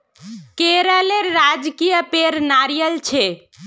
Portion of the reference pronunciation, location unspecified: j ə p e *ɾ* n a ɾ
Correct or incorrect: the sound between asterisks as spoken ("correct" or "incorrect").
correct